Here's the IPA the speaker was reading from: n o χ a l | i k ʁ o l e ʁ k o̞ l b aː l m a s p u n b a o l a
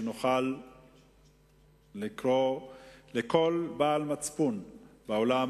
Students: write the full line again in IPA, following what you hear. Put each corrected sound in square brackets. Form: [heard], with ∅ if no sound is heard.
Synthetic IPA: n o χ a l | i k ʁ o l e [∅] k o̞ l b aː l m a [t͡s] p u n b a o l a